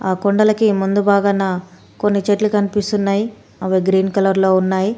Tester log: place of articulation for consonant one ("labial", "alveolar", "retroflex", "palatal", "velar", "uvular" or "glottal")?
velar